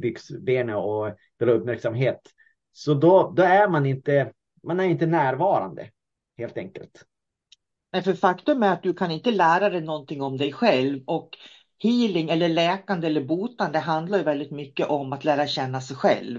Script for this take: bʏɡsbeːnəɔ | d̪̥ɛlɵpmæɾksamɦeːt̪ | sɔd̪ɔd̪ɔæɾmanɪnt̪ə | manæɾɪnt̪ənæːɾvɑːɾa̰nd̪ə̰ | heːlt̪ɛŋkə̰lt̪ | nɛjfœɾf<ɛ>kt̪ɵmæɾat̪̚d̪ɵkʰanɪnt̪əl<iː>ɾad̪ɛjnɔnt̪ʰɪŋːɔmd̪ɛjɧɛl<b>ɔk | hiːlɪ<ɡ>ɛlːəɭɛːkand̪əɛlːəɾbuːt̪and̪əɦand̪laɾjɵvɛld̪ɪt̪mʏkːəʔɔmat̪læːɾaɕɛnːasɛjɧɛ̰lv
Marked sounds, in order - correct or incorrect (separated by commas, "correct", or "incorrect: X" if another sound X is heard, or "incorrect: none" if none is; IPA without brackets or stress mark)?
incorrect: a, incorrect: æː, incorrect: v, incorrect: ŋ